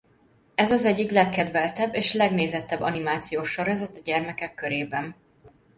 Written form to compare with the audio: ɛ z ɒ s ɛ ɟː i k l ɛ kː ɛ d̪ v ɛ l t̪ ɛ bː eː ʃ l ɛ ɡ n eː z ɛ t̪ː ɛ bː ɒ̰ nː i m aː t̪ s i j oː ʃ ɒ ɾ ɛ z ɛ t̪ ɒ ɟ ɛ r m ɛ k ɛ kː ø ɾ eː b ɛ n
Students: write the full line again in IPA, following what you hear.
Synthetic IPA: ɛ z ɒ z ɛ ɟː i k l ɛ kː ɛ d̪ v ɛ l t̪ ɛ bː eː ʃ l ɛ ɡ n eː z ɛ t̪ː ɛ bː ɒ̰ n i m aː t̪ s i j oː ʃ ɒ ɾ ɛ z ɛ t̪ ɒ ɟ ɛ r m ɛ k ɛ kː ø ɾ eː b ɛ n